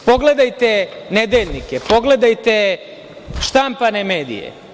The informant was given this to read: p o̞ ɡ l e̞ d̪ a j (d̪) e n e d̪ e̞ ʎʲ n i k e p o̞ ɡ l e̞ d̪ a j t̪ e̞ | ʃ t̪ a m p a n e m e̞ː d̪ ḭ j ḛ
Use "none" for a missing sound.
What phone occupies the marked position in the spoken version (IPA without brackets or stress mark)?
t̪